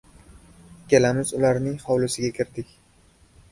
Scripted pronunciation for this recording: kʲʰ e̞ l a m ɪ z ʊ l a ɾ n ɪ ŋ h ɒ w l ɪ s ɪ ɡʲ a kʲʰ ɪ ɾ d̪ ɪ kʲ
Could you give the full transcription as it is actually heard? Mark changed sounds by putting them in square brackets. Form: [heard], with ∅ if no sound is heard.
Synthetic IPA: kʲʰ e̞ l a m ɪ z ʊ l a ɾ n ɪ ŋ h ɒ w l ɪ s ɪ ɡʲ a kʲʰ ɪ ɾ d̪ ɪ kʲ